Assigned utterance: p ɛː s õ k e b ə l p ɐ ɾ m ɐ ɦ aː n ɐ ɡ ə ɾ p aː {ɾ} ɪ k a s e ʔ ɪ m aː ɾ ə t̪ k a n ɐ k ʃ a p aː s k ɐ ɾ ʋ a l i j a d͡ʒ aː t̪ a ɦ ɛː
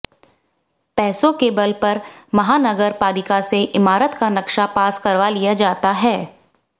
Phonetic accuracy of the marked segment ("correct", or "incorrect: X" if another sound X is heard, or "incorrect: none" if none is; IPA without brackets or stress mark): incorrect: l